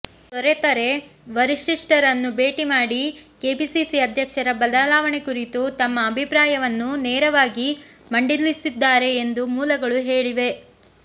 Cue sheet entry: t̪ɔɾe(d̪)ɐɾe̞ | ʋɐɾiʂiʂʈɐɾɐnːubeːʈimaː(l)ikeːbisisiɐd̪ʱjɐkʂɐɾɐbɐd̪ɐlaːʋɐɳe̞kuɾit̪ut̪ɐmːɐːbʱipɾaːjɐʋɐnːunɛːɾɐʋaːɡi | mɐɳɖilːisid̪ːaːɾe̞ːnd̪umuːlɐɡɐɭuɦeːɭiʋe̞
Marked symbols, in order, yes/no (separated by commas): no, no